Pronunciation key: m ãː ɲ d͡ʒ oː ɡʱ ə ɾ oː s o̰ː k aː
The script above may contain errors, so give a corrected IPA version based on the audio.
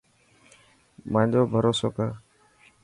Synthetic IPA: m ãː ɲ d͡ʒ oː bʱ ə ɾ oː s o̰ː k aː